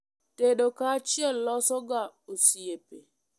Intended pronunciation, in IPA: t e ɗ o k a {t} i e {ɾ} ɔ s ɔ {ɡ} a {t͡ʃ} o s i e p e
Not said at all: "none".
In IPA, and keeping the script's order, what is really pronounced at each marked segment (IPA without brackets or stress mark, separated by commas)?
t͡ʃ, l, ɡ, none